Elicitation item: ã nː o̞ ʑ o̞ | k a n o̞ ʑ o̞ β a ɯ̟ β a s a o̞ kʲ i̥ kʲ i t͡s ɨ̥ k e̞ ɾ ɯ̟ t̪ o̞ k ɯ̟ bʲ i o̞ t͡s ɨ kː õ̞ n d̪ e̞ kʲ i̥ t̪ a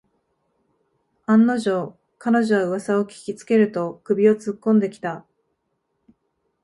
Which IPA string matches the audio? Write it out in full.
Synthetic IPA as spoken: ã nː o̞ ʑ o̞ | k a n o̞ ʑ o̞ β a ɯ̟ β a s a o̞ kʲ i̥ kʲ i t͡s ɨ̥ k e̞ ɾ ɯ̟ t̪ o̞ k ɯ̟ bʲ i o̞ t͡s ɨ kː õ̞ n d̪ e̞ kʲ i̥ t̪ a